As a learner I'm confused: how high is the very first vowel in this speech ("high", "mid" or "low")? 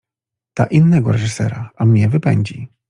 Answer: low